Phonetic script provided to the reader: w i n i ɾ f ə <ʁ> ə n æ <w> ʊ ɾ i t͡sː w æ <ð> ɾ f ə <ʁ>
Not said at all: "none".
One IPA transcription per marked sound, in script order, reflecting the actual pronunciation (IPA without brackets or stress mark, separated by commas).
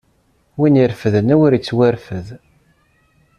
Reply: ð, w, none, ð